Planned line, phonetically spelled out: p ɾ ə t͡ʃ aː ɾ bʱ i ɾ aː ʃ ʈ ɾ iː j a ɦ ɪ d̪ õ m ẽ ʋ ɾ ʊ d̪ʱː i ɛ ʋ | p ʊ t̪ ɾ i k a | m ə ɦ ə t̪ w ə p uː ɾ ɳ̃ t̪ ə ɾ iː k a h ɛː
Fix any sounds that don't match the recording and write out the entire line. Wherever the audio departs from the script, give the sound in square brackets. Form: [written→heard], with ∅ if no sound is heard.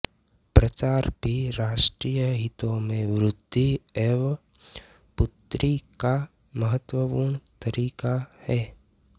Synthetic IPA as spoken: p ɾ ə t͡ʃ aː ɾ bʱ i ɾ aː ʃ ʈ ɾ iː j [a→ə] ɦ ɪ [d̪→t̪] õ m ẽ ʋ ɾ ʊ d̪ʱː i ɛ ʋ | p ʊ t̪ ɾ i k a | m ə ɦ ə t̪ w ə p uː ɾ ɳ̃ t̪ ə ɾ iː k a h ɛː